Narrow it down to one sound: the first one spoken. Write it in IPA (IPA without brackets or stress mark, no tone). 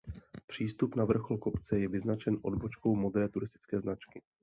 p